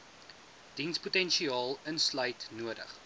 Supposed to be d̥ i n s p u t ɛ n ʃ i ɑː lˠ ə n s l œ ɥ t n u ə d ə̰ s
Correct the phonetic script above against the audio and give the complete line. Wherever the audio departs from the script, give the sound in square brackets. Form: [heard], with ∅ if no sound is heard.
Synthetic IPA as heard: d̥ i n s p u t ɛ n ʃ i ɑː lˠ ə n s l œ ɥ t n u ə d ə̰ [χ]